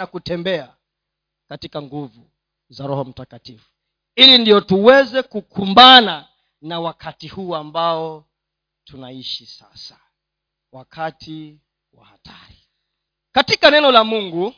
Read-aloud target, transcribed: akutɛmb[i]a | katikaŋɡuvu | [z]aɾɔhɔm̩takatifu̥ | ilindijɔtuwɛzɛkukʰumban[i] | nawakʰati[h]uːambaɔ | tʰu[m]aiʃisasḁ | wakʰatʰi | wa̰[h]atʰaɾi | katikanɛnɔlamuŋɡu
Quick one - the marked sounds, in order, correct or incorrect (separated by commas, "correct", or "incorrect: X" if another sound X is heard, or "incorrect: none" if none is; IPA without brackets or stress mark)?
incorrect: ɛ, correct, incorrect: a, correct, incorrect: n, correct